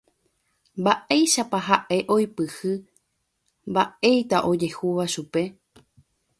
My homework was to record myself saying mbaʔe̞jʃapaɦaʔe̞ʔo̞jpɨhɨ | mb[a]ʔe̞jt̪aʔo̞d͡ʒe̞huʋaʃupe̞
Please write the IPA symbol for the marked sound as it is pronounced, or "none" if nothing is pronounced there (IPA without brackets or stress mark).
a